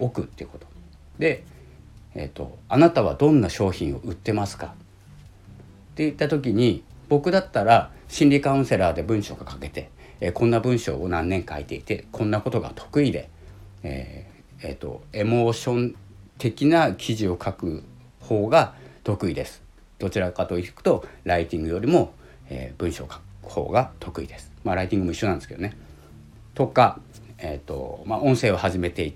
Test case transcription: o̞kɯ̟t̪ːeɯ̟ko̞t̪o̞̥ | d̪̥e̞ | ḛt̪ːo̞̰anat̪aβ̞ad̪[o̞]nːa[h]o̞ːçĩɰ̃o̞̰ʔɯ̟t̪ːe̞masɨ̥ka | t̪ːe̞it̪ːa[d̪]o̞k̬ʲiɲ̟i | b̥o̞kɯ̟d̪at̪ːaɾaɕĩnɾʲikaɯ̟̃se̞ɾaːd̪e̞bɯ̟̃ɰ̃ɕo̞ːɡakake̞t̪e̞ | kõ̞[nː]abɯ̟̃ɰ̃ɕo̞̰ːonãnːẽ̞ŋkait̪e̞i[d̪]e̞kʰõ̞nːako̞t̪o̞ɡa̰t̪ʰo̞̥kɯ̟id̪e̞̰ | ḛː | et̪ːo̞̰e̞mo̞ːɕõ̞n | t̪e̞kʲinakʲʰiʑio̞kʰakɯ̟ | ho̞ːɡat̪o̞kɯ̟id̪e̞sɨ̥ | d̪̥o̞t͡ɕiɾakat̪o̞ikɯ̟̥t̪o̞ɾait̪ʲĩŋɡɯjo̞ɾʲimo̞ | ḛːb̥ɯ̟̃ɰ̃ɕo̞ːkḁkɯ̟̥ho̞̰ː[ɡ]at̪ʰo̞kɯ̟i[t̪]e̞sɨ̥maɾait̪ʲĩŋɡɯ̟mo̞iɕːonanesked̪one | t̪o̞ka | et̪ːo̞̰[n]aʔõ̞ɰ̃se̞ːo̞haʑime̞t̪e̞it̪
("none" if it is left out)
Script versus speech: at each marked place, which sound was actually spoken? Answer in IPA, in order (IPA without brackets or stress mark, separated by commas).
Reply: õ̞, ɕ, t̪, nː, t̪, ɡ, d̪, m